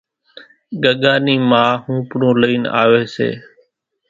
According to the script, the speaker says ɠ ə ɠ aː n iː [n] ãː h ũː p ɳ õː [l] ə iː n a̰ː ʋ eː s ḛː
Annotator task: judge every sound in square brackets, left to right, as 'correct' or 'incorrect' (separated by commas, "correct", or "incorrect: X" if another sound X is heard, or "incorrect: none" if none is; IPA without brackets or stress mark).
incorrect: m, correct